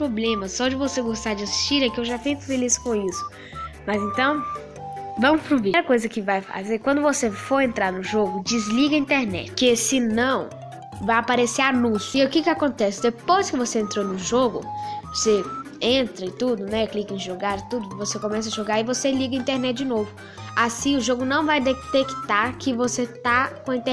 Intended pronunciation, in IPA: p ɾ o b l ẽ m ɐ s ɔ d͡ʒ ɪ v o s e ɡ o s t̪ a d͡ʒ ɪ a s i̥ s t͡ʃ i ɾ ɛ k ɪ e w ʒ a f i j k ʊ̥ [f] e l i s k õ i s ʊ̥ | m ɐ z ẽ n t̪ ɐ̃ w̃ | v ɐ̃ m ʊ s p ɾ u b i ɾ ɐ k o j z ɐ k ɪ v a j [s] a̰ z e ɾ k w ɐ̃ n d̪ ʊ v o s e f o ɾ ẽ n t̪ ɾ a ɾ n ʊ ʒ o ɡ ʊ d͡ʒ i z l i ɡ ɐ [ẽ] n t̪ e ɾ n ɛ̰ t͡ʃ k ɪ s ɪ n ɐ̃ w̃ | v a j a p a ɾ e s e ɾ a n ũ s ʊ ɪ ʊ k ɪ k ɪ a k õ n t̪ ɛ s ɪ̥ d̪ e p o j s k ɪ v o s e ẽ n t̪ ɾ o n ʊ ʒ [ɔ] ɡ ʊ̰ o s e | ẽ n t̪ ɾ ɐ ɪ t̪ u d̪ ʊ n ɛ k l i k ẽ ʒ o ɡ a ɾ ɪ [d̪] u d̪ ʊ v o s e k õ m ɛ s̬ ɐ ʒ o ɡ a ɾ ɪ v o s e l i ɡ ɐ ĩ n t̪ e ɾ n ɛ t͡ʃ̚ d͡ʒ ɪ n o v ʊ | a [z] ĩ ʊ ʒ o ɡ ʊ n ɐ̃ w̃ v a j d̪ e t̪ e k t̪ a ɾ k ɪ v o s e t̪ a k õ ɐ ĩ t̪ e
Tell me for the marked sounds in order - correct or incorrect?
correct, incorrect, incorrect, incorrect, incorrect, incorrect

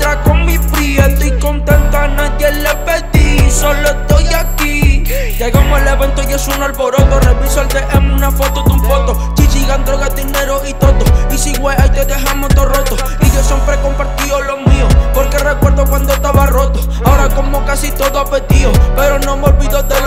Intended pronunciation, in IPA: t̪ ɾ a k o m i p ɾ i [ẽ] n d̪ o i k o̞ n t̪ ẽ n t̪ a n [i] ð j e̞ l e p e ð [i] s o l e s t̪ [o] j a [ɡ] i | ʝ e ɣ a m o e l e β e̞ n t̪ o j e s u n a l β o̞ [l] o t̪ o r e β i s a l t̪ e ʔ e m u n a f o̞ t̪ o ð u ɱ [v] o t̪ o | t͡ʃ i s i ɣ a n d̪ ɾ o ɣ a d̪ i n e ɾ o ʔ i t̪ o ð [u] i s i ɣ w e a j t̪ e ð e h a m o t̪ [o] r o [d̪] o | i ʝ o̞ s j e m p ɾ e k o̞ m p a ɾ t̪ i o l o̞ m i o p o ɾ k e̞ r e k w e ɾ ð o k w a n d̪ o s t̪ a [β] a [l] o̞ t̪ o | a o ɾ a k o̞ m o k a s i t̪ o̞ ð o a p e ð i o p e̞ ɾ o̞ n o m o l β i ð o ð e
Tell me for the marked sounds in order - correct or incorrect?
incorrect, incorrect, correct, correct, incorrect, incorrect, incorrect, incorrect, correct, incorrect, correct, incorrect

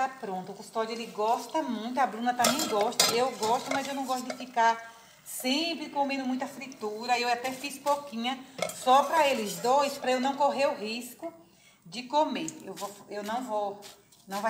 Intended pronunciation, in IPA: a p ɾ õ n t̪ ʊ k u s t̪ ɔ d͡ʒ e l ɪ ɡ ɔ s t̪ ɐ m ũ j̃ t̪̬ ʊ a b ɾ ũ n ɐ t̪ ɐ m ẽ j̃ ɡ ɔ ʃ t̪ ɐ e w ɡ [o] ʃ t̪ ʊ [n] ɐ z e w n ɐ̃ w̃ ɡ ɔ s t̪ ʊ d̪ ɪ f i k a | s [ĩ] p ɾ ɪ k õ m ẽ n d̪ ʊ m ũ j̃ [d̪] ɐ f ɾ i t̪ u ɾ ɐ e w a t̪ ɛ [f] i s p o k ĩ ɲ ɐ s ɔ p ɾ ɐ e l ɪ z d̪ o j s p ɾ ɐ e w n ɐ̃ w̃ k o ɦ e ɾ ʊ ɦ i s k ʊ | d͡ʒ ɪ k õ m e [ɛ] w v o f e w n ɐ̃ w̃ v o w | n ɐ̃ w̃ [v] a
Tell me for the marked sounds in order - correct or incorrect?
incorrect, incorrect, incorrect, incorrect, correct, incorrect, correct

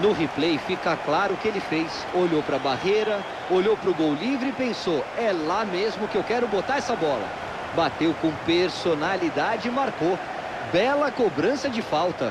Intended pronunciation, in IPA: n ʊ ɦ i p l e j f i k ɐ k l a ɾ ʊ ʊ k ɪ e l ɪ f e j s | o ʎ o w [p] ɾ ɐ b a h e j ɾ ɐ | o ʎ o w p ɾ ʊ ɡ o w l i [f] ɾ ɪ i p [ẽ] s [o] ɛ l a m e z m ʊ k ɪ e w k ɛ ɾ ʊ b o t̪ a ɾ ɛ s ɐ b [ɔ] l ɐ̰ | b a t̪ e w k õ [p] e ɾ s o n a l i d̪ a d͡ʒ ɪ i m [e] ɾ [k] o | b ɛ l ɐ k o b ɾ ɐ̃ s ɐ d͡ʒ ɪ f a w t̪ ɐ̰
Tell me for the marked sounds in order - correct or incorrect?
correct, incorrect, correct, correct, correct, correct, incorrect, correct

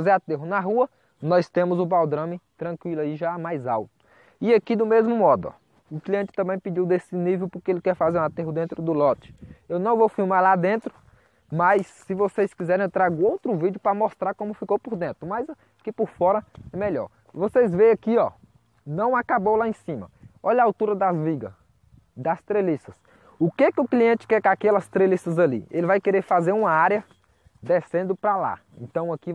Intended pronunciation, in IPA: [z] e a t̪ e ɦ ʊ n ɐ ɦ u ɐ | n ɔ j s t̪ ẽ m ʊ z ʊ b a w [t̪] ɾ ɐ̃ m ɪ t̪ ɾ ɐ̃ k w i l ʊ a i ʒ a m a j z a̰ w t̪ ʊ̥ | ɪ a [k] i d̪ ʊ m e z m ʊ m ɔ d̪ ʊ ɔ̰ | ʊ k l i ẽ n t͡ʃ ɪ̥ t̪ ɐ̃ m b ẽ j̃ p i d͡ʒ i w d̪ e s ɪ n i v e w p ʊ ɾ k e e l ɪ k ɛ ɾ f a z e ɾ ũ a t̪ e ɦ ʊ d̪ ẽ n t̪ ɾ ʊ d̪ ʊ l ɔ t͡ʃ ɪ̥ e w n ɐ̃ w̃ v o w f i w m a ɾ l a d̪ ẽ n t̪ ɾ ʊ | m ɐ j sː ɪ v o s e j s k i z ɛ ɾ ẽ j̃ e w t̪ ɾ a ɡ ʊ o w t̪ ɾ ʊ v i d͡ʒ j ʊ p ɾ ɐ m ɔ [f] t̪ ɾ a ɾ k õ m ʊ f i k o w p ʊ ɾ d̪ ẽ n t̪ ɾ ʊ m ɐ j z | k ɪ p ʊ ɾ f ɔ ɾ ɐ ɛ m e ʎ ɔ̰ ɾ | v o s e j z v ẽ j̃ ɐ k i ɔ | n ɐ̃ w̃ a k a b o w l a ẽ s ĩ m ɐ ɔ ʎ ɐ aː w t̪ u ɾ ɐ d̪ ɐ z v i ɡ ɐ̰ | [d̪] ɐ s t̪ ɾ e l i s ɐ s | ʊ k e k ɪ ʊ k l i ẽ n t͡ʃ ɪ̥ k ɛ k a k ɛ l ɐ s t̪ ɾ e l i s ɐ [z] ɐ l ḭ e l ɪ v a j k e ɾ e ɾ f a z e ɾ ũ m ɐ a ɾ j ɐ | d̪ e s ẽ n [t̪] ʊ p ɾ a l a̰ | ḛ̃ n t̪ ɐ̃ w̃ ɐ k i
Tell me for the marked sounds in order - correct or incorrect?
correct, incorrect, correct, incorrect, correct, correct, incorrect

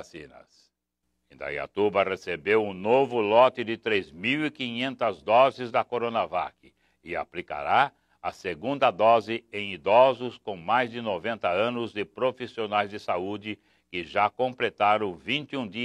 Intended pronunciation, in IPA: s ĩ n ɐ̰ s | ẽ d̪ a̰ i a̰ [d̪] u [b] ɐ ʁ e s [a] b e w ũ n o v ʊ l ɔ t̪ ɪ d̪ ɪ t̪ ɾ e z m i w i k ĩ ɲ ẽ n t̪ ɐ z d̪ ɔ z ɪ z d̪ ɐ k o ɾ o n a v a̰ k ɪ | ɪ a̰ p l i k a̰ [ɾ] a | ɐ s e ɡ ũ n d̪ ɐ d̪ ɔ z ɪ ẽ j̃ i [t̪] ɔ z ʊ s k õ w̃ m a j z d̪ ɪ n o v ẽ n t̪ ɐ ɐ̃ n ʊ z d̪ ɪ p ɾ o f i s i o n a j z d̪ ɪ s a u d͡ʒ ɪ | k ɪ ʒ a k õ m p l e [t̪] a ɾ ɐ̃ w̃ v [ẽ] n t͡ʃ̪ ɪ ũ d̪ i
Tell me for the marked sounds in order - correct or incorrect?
incorrect, correct, incorrect, correct, incorrect, correct, incorrect

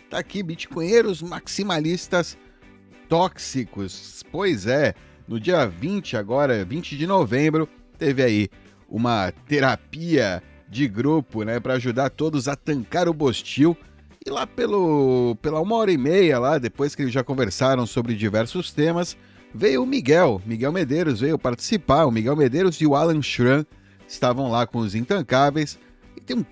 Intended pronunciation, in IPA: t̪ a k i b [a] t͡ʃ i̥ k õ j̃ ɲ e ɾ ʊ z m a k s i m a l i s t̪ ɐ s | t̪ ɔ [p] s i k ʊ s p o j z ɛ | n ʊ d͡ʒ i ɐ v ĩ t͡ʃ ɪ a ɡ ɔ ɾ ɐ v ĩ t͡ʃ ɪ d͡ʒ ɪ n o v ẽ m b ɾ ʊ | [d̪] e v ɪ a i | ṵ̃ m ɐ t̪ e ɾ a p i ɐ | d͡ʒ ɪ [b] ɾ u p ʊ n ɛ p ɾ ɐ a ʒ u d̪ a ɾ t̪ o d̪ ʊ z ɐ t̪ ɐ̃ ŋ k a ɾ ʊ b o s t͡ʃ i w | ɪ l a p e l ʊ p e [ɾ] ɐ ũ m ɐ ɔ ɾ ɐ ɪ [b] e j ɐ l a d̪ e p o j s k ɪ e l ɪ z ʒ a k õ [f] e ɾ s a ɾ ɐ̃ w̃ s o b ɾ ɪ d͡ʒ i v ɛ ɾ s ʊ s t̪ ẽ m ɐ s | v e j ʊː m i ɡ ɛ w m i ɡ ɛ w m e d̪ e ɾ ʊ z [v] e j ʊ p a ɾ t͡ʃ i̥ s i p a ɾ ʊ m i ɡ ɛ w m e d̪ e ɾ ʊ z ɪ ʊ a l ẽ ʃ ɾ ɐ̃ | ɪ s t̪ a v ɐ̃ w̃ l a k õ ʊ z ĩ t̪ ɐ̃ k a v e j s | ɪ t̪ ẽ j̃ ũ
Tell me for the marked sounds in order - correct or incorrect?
incorrect, incorrect, incorrect, incorrect, incorrect, incorrect, incorrect, correct

